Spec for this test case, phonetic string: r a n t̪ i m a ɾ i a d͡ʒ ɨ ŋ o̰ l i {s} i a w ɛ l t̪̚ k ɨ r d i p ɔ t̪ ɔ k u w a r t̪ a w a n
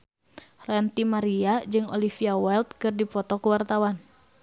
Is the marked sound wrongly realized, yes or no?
yes